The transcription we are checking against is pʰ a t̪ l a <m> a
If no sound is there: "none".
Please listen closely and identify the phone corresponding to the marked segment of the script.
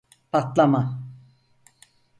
m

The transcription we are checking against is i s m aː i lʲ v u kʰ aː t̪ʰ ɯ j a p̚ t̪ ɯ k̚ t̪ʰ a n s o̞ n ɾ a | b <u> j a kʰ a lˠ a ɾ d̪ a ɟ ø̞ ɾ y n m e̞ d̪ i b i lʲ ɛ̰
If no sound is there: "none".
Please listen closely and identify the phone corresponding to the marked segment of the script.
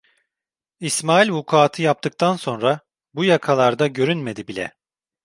u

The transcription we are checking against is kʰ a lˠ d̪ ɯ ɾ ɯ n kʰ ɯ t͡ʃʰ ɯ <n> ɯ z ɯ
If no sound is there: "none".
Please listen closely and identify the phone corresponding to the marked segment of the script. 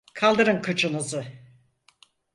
n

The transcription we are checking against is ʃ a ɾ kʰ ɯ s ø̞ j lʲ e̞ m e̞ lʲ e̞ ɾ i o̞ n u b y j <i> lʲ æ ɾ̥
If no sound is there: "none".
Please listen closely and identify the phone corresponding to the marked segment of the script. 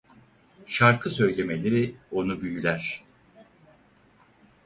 y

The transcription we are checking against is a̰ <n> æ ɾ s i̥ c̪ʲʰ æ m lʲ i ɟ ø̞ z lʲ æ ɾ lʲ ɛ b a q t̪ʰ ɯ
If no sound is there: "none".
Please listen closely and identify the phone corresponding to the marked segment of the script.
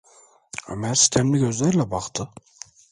m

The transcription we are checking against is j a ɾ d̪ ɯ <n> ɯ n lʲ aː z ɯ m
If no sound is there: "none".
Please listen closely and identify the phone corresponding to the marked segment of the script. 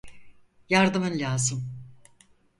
m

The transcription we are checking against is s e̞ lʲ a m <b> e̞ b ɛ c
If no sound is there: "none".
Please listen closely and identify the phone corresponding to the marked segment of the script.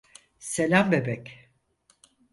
b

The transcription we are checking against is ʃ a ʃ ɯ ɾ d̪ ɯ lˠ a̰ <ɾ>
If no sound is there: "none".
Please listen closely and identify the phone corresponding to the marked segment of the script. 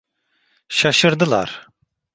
ɾ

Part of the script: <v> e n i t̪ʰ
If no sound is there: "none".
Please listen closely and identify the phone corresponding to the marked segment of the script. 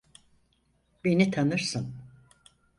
b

